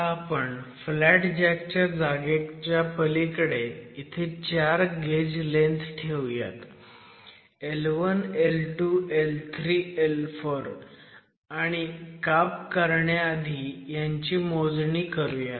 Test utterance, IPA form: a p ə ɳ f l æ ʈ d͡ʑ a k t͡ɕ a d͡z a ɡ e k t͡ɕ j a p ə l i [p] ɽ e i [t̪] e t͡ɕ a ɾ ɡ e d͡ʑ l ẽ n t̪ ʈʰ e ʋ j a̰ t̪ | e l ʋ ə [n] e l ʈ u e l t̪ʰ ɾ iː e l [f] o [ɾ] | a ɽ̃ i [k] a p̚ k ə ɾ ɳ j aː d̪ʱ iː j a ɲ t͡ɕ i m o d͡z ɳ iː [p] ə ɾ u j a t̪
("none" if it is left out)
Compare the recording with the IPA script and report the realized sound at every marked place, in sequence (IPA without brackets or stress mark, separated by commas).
k, t̪ʰ, n, f, ɾ, k, k